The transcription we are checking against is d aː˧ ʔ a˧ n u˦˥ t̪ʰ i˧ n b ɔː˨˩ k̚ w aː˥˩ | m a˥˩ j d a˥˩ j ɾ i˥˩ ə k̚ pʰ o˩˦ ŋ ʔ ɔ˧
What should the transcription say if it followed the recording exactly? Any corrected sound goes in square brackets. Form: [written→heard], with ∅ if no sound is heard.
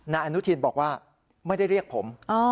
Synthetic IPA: [d→n] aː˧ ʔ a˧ n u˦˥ t̪ʰ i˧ n b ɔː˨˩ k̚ w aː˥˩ | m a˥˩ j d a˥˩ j ɾ i˥˩ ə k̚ pʰ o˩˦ [ŋ→m] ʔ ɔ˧